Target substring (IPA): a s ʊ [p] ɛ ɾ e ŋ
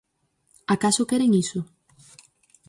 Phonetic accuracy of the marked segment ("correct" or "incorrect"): incorrect